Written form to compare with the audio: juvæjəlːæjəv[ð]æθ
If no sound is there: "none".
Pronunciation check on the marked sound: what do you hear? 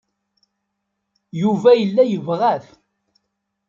ʁ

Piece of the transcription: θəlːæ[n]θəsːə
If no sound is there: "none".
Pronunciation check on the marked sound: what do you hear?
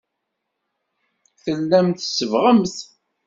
m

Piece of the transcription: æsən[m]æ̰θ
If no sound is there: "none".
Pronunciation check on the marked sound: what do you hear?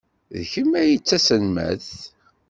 m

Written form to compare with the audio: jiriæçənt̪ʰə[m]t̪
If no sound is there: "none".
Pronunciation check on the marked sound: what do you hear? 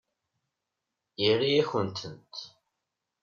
n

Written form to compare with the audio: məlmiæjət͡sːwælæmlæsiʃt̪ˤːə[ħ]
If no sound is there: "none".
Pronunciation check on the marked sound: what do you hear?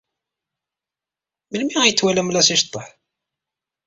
ħ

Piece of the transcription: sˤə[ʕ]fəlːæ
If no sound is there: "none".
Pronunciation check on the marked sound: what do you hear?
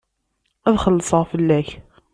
ʁ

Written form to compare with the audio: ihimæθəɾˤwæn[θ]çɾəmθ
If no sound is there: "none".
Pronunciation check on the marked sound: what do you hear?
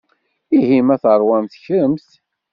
θ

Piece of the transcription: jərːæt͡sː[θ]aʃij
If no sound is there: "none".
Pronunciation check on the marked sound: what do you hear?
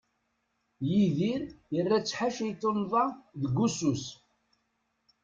ħ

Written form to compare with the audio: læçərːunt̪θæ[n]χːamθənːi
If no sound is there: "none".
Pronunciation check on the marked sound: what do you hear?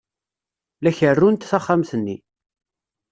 none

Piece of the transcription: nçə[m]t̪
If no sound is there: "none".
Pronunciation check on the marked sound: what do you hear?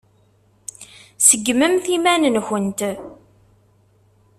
n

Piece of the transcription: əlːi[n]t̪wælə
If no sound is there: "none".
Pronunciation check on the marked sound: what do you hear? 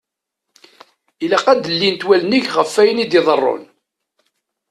n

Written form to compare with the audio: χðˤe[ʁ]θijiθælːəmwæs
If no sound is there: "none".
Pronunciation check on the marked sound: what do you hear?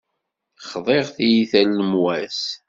ʁ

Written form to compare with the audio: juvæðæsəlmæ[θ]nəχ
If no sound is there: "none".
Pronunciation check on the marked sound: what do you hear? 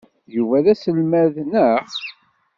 ð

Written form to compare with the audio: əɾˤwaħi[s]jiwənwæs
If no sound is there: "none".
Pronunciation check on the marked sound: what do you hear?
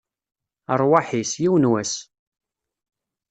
s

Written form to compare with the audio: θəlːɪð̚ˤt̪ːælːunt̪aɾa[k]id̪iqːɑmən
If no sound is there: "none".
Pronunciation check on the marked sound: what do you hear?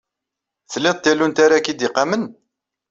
k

